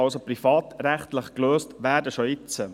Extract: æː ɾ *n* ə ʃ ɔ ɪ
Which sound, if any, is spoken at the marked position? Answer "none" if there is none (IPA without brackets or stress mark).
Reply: d